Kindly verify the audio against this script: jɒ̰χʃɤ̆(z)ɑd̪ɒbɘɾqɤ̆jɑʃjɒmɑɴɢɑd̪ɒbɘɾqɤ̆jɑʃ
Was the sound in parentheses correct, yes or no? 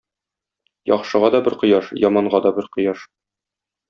no